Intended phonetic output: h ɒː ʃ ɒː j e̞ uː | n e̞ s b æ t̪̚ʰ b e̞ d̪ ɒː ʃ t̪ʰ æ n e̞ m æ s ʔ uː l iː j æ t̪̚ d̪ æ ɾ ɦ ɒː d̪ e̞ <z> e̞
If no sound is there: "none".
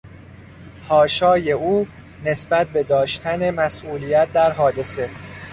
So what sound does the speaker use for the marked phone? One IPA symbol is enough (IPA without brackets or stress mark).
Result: s